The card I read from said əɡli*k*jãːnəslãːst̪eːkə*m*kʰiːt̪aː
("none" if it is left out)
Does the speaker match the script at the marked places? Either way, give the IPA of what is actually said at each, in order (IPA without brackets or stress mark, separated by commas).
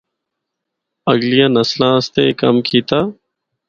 none, m